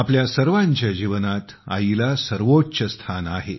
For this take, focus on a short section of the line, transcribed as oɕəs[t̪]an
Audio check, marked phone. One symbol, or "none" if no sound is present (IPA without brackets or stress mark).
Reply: t̪ʰ